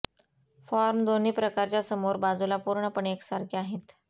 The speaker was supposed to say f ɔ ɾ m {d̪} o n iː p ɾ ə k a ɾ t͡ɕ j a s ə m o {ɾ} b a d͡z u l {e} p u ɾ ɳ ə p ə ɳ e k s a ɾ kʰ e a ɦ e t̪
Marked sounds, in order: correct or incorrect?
correct, correct, incorrect: a

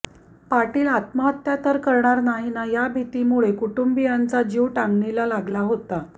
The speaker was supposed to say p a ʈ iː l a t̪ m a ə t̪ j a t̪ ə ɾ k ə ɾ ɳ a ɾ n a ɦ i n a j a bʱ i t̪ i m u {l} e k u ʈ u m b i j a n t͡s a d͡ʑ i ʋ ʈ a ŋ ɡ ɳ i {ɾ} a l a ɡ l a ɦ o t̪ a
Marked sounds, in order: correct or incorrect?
incorrect: ɭ, incorrect: l

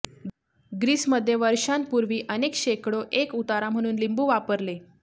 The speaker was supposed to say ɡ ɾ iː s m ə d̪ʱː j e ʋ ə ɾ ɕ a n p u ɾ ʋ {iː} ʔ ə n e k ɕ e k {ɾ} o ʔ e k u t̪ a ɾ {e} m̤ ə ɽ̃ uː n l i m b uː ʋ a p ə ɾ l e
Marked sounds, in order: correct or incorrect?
correct, incorrect: ɽ, incorrect: a

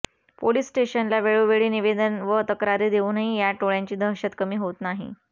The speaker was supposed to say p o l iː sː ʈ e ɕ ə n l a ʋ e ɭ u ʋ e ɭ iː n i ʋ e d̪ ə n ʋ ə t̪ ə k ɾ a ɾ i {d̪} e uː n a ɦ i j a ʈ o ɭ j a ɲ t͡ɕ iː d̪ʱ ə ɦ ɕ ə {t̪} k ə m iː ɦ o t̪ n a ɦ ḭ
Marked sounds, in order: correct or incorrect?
correct, correct

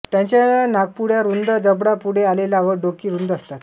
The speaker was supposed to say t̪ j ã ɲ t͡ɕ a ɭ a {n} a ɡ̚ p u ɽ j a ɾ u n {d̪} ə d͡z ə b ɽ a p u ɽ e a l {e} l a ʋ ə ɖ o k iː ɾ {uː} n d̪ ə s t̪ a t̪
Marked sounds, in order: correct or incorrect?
correct, correct, correct, incorrect: u

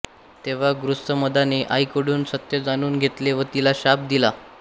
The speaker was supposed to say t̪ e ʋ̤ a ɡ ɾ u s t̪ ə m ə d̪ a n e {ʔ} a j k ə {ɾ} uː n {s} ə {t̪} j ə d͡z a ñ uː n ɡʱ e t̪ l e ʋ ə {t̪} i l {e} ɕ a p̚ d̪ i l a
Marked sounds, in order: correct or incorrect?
correct, incorrect: ɽ, correct, correct, correct, incorrect: a

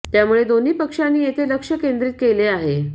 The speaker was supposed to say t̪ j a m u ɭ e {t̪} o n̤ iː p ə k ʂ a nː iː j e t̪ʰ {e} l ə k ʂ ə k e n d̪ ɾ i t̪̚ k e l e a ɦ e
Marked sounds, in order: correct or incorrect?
incorrect: d̪, correct

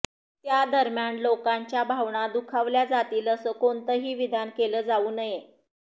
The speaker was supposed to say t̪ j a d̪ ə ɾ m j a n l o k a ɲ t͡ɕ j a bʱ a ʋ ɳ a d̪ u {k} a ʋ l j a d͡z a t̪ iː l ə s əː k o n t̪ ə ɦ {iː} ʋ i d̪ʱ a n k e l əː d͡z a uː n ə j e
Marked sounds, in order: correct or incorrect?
incorrect: kʰ, correct

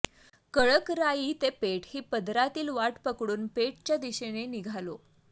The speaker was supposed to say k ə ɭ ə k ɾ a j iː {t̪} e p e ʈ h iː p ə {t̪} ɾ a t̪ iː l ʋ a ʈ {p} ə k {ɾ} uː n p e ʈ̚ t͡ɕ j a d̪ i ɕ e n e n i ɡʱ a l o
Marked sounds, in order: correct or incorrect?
correct, incorrect: d̪, correct, incorrect: ɽ

